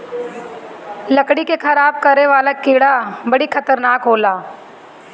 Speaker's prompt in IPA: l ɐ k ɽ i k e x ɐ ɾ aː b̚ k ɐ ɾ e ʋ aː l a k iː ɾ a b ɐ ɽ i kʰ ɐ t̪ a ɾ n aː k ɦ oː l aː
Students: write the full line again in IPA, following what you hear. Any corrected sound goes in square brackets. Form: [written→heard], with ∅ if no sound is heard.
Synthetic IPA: l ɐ k ɽ i k e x ɐ ɾ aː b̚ k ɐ ɾ e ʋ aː l a k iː [ɾ→ɽ] a b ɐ ɽ i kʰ ɐ t̪ [a→ə] ɾ n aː k ɦ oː l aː

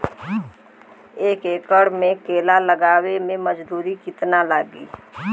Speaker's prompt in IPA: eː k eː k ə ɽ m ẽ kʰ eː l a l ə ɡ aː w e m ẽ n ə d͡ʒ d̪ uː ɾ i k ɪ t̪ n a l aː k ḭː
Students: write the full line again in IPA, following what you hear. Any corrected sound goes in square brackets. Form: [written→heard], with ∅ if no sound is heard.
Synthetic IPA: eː k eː k ə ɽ m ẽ [kʰ→k] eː l a l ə ɡ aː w e m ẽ [n→m] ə d͡ʒ d̪ uː ɾ i k ɪ t̪ n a l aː [k→ɡ] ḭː

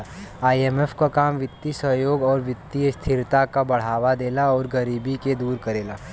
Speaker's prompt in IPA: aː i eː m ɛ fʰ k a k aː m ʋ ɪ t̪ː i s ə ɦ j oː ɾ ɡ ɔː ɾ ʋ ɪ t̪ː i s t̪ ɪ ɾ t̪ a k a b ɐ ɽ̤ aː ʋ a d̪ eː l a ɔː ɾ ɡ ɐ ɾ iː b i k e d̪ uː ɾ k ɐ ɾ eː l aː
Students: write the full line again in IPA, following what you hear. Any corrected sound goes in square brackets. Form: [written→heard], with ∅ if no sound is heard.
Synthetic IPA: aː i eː m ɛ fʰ k a k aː m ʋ ɪ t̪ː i s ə ɦ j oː [ɾ→∅] ɡ ɔː ɾ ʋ ɪ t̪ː i s [t̪→t̪ʰ] ɪ ɾ t̪ a k a b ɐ ɽ̤ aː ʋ a d̪ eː l a ɔː ɾ ɡ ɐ ɾ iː b i k e d̪ uː ɾ k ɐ ɾ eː l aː

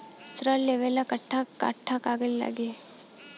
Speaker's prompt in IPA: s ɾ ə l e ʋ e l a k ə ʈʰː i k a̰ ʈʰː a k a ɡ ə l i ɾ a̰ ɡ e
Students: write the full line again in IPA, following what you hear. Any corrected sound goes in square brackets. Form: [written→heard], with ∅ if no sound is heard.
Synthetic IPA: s ɾ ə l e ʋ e l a k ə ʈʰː [i→a] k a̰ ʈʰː a k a ɡ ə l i [ɾ→l] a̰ ɡ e

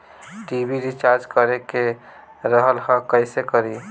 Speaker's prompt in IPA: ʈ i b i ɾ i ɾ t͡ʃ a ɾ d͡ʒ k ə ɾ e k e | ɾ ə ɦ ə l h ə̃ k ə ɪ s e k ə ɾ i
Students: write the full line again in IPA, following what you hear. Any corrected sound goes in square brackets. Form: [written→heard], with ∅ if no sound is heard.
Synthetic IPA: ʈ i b i ɾ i [ɾ→∅] t͡ʃ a ɾ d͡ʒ k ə ɾ e k e | ɾ ə ɦ ə l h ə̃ k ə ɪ s e k ə ɾ i

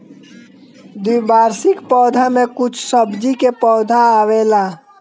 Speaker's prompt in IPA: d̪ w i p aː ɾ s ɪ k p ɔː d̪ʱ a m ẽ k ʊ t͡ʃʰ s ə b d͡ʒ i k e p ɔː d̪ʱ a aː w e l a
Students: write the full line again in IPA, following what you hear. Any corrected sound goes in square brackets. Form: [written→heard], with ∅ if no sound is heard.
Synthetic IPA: d̪ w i [p→b] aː ɾ s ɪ k p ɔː d̪ʱ a m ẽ k ʊ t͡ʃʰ s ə b d͡ʒ i k e p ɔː d̪ʱ a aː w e l a

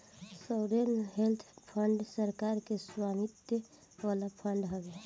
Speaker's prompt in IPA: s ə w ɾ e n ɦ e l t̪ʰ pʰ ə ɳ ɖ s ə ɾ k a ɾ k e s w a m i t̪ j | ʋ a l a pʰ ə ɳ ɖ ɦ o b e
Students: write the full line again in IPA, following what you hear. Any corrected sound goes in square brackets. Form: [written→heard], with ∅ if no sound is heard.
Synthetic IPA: s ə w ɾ e n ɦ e l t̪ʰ pʰ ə ɳ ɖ s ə ɾ k a ɾ k e s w a m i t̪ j | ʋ a l a pʰ ə ɳ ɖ ɦ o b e

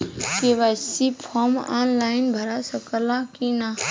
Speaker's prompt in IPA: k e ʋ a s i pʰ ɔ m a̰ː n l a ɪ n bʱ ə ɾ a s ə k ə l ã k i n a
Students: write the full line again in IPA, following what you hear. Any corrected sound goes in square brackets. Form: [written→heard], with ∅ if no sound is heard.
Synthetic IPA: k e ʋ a s i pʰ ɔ m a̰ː n l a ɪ n bʱ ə ɾ a s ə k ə l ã k i n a

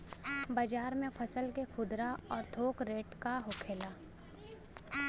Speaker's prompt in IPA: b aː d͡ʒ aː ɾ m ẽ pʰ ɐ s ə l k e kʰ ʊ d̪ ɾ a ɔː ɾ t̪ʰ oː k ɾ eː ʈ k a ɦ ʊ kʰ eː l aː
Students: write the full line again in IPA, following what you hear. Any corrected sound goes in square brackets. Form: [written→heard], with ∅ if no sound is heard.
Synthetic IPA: b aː d͡ʒ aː ɾ m ẽ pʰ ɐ s ə l k e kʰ ʊ d̪ ɾ a ɔː ɾ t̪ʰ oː k ɾ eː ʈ k a ɦ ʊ kʰ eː l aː

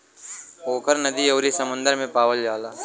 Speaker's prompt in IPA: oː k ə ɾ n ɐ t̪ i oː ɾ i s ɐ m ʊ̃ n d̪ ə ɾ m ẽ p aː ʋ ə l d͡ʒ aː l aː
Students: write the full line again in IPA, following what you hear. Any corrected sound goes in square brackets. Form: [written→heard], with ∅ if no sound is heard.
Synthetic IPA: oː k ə ɾ n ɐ [t̪→d̪] i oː ɾ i s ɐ m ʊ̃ n d̪ ə ɾ m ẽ p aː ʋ ə l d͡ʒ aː l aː

